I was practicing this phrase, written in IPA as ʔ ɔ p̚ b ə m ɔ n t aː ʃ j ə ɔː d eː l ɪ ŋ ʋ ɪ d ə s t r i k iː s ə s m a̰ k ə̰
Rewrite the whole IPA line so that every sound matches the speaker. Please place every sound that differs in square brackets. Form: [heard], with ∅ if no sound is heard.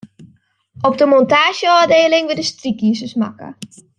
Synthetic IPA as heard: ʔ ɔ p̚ [d] ə m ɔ n t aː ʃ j ə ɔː d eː l ɪ ŋ ʋ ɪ d ə s t r i k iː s ə s m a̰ k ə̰